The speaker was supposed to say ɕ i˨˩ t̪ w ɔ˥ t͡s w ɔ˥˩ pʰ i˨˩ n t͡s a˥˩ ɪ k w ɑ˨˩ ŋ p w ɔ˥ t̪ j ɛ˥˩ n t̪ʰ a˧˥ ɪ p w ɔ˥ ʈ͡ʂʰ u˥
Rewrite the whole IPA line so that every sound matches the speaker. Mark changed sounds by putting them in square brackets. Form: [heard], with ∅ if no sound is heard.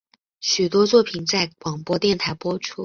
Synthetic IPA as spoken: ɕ [y˨˩] t̪ w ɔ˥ t͡s w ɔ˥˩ pʰ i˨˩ n t͡s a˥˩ ɪ k w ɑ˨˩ ŋ p w ɔ˥ t̪ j ɛ˥˩ n t̪ʰ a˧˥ ɪ p w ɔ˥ ʈ͡ʂʰ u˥